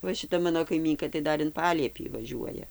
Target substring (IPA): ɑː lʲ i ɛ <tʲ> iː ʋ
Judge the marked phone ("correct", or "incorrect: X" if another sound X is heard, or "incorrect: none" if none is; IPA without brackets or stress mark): incorrect: pʲ